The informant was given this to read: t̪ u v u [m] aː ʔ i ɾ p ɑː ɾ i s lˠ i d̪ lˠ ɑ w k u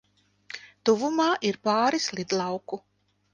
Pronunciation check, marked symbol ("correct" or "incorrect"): correct